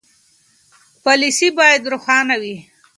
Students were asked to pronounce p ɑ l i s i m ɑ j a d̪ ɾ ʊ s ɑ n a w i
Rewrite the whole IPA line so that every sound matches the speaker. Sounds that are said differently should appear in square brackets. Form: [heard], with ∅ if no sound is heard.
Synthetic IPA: p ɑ l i s i [b] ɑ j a d̪ ɾ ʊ [x] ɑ n a w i